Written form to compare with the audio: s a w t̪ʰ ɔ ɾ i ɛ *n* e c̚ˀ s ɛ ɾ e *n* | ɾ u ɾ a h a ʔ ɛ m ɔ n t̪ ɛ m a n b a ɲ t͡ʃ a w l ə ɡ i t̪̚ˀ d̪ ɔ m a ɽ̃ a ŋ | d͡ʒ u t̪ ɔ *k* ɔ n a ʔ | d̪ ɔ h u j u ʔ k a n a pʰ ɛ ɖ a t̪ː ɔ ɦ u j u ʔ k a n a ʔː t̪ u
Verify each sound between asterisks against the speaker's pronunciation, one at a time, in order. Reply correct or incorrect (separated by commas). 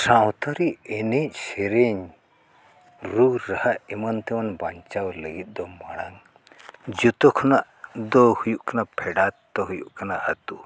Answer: correct, incorrect, incorrect